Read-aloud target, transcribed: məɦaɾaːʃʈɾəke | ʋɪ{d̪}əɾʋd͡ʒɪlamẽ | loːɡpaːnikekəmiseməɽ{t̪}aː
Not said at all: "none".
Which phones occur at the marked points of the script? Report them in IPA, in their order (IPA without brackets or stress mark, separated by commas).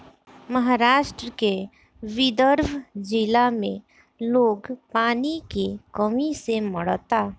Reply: d̪, t̪